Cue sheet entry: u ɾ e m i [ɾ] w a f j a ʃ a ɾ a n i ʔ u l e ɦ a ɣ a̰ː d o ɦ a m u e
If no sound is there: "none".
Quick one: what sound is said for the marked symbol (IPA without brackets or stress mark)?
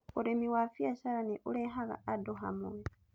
none